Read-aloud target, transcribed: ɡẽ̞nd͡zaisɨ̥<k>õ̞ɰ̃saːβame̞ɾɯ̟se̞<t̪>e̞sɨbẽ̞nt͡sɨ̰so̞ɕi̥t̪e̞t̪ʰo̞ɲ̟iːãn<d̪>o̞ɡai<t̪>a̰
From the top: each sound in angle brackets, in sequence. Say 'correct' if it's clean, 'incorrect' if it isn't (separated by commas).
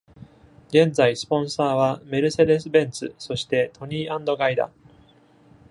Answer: incorrect, incorrect, correct, incorrect